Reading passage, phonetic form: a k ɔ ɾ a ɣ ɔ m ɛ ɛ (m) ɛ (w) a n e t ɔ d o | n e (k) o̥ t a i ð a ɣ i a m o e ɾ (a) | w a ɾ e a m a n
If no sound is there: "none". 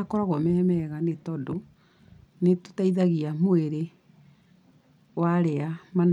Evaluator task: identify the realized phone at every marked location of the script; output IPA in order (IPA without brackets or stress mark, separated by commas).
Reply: m, ɣ, t, e